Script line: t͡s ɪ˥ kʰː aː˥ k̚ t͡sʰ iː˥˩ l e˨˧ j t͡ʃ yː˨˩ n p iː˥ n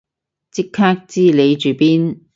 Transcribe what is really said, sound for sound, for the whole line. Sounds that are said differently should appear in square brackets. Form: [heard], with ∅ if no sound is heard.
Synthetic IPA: t͡s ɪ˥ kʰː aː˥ k̚ [t͡s] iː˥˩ l e˨˧ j t͡ʃ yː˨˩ [∅] p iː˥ n